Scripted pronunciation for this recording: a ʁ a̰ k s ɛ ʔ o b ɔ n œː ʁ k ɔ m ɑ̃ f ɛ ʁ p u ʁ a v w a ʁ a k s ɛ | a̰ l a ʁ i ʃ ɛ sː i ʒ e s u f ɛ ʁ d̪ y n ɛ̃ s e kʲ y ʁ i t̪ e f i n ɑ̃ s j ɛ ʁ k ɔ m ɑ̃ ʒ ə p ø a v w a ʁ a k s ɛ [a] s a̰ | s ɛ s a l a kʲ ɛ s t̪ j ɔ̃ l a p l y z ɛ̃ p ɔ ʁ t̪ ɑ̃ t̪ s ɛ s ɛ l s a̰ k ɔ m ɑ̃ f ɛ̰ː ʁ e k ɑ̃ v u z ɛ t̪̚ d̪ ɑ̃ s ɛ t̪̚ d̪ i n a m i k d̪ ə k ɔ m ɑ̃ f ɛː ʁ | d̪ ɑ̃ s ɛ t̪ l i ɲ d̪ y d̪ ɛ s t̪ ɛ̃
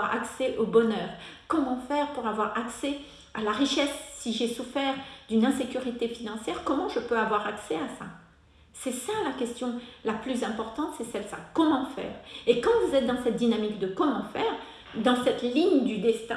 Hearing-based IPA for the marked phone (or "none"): a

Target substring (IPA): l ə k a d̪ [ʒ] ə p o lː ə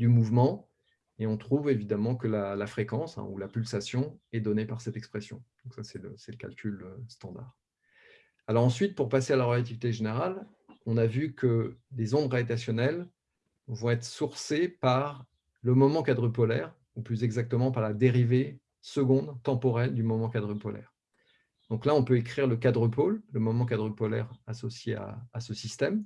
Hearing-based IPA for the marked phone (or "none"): ʁ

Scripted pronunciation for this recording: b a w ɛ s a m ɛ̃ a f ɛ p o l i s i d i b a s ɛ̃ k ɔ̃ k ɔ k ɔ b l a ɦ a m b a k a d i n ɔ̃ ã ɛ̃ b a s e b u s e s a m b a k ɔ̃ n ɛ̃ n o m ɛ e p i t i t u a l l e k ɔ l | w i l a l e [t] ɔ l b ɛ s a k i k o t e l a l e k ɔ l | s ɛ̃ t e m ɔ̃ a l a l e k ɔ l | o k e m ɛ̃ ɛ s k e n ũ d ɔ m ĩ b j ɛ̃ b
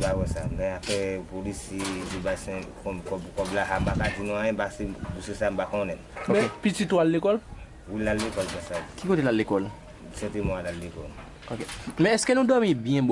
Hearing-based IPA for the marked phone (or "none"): k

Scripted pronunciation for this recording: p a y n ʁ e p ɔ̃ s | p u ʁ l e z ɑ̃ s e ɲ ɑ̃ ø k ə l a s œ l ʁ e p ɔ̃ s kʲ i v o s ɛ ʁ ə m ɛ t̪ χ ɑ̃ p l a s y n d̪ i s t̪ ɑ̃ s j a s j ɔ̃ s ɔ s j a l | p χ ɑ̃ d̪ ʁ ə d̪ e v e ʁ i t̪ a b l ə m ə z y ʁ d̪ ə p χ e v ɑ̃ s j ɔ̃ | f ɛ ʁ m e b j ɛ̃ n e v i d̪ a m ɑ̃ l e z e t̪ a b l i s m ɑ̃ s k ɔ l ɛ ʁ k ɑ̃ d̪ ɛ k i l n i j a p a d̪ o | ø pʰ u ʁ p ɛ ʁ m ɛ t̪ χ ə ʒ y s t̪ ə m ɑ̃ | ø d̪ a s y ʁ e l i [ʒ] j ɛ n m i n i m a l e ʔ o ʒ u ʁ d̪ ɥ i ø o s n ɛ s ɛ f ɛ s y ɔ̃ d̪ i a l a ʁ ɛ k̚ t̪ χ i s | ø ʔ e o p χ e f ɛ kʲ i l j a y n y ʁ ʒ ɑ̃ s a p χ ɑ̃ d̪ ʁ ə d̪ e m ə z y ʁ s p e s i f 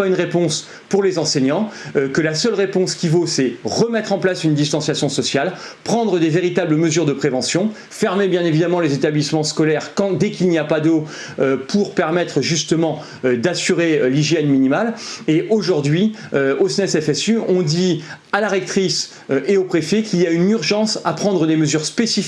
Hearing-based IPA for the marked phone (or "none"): ʒ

